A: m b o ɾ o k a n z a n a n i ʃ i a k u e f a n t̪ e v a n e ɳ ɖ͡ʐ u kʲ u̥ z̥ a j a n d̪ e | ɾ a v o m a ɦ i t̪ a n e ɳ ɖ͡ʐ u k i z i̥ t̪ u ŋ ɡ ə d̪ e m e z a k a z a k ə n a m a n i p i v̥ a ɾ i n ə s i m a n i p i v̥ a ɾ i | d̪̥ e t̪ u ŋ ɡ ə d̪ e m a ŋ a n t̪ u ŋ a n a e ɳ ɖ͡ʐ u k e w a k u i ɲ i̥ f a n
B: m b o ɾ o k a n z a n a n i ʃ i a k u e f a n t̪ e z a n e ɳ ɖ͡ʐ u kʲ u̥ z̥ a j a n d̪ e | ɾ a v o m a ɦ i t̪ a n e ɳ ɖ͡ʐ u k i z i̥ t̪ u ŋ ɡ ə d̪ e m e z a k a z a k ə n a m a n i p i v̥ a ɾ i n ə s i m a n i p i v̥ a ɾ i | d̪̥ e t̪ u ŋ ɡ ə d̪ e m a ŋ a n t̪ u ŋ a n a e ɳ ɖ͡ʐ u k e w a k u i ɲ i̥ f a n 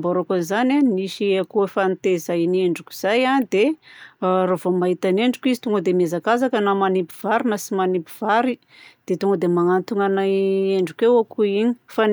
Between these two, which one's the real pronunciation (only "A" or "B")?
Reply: B